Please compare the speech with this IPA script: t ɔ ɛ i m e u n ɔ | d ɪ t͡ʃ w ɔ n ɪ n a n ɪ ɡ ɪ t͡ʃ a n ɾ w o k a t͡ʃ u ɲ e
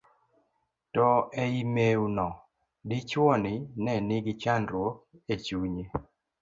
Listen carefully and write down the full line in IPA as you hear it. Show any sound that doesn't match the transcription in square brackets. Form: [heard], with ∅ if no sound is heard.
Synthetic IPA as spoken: t ɔ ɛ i m e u n ɔ | d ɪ t͡ʃ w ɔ n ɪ n [ɛ] n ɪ ɡ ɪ t͡ʃ a n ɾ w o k [e] t͡ʃ u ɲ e